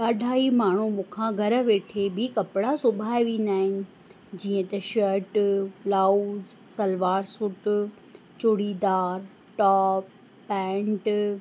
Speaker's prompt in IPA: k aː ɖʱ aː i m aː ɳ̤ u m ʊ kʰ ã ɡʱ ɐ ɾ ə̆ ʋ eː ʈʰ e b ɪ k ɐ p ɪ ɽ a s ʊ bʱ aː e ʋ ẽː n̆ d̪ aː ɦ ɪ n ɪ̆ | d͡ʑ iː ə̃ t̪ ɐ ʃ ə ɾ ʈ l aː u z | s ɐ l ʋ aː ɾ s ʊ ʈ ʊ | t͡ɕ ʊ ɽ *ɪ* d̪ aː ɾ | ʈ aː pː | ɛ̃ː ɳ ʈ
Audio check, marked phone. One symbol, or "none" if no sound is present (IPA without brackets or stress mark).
i